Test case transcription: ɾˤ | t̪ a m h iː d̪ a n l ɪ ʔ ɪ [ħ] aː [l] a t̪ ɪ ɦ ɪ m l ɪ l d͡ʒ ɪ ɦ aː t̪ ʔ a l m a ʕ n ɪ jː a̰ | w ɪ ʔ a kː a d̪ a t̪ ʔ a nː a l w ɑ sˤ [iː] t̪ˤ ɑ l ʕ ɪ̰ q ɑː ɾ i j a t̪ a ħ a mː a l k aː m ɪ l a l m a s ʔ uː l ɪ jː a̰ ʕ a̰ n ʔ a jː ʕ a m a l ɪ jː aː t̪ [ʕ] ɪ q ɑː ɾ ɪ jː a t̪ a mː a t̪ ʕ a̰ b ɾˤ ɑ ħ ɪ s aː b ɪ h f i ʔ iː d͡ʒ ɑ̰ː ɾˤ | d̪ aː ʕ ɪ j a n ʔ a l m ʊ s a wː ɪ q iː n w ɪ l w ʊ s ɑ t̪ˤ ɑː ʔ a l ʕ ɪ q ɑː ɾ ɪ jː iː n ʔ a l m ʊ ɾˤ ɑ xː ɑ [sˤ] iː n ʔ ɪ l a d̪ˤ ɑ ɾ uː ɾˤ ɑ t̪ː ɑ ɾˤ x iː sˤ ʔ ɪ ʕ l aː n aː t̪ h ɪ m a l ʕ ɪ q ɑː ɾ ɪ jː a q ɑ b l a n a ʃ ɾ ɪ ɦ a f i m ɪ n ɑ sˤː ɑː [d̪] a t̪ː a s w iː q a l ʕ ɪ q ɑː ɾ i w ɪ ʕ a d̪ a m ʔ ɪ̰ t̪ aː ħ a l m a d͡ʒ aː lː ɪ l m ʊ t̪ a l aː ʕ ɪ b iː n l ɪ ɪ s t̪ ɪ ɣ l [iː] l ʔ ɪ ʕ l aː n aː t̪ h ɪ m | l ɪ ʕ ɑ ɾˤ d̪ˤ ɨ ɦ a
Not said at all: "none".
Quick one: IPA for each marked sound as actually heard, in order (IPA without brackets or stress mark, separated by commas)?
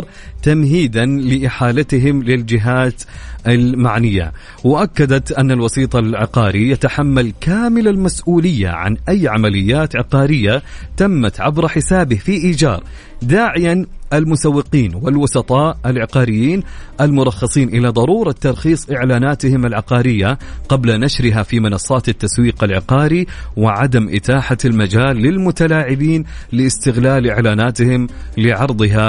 ħ, l, iː, ʕ, sˤ, t̪, aː